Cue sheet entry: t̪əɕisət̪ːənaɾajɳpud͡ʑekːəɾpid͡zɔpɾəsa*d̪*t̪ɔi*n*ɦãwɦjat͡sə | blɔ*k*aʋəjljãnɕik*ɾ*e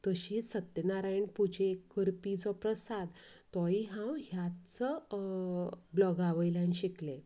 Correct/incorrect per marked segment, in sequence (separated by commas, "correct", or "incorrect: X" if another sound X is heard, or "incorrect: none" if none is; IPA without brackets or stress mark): correct, incorrect: none, incorrect: ɡ, incorrect: l